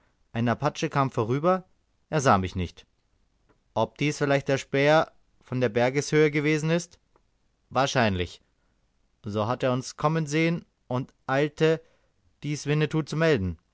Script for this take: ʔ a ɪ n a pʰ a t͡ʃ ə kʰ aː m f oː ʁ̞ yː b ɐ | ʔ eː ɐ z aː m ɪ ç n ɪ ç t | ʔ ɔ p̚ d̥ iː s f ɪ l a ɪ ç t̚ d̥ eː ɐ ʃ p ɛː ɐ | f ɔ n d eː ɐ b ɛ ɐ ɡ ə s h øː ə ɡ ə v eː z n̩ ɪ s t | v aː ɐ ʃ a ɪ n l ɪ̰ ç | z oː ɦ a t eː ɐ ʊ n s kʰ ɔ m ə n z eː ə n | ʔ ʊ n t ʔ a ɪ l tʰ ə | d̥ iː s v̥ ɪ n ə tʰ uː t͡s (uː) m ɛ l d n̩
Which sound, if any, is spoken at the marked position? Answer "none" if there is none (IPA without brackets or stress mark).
u